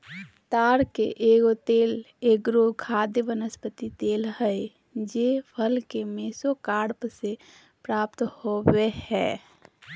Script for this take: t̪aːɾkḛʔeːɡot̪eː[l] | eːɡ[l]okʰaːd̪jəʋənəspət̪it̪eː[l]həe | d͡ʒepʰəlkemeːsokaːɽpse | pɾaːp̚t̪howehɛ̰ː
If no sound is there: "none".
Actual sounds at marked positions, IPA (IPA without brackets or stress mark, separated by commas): l, ɾ, l